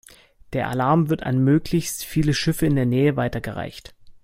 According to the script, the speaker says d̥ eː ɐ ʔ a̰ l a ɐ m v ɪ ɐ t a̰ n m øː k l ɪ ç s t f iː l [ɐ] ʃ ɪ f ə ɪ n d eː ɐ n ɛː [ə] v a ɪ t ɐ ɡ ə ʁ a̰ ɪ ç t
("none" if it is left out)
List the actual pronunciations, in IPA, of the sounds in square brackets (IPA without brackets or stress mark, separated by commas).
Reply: ə, ə